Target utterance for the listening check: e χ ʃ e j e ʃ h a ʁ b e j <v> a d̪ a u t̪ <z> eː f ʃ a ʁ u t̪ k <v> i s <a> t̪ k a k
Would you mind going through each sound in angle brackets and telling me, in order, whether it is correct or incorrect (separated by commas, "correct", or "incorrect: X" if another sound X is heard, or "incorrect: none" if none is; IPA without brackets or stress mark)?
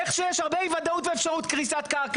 correct, incorrect: v, incorrect: ʁ, correct